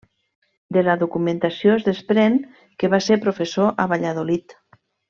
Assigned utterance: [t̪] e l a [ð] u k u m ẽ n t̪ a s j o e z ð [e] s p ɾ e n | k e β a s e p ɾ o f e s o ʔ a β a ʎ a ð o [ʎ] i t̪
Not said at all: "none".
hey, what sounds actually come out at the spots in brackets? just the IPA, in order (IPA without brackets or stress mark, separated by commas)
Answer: d̪, ð, e, l